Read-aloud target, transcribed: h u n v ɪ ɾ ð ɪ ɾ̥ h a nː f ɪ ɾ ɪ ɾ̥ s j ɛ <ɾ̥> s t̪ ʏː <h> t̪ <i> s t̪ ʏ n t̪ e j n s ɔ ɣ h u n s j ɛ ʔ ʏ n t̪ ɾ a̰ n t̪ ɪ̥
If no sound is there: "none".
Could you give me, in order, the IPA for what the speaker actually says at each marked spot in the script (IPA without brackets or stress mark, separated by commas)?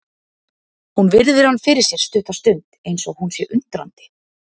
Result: ɾ̥, h, a